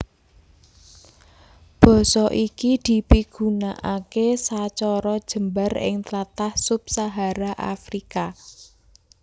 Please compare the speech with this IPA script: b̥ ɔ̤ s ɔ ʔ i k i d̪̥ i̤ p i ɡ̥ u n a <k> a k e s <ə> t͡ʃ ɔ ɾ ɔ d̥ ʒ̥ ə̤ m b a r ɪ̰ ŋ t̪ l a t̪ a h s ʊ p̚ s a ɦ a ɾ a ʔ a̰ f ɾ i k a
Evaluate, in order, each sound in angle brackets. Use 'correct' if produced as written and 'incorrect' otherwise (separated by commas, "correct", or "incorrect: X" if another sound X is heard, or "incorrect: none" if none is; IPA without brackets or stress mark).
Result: incorrect: ʔ, incorrect: a